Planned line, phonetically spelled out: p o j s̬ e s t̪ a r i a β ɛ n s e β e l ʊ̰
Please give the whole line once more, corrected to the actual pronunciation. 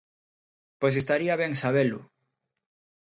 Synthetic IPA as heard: p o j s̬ e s t̪ a ɾ i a β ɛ ŋ s a β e l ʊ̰